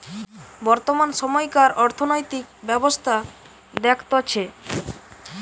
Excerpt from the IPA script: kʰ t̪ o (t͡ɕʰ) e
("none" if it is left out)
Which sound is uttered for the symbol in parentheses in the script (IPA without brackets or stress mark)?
t͡ɕʰ